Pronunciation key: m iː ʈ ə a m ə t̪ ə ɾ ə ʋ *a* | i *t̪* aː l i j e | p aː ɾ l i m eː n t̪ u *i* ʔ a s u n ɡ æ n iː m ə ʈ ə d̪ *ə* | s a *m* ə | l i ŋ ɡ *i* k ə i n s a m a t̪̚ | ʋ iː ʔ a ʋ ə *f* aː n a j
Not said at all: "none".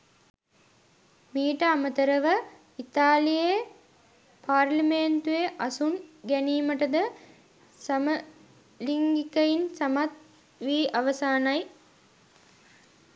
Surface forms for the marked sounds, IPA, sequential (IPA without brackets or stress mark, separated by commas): ə, t̪, e, ə, m, i, s